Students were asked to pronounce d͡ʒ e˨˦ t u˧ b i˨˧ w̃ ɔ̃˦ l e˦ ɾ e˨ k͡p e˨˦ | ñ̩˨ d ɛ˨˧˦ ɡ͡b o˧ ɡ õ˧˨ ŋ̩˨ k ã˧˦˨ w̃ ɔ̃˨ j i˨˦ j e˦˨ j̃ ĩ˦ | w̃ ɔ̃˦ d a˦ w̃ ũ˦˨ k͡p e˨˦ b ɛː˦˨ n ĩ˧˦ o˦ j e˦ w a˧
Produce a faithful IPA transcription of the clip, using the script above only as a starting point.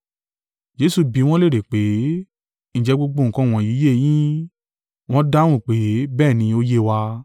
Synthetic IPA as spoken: d͡ʒ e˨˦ s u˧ b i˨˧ w̃ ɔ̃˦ l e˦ ɾ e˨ k͡p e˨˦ | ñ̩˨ d͡ʒ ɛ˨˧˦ ɡ͡b o˧ ɡ͡b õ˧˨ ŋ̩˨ k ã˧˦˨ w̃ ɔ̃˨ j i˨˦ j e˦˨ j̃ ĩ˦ | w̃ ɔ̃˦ d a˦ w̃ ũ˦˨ k͡p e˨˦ b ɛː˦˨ n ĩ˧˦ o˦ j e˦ w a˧